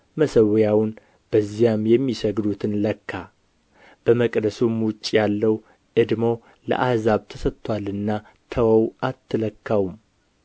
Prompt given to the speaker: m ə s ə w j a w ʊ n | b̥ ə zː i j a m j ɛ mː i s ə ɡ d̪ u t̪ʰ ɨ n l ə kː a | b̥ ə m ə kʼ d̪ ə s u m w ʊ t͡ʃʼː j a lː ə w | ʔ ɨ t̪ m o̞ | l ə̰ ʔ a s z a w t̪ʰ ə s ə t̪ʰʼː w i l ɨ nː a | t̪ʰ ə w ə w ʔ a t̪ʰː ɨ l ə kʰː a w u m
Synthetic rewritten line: m ə s ə w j a w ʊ n | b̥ ə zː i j a m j ɛ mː i s ə ɡ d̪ u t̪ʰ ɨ n l ə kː a | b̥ ə m ə kʼ d̪ ə s u m w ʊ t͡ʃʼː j a lː ə w | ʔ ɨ d̪ m o̞ | l ə̰ ʔ a h z a β t̪ʰ ə s ə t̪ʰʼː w a l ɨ nː a | t̪ʰ ə w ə w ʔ a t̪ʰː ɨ l ə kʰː a w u m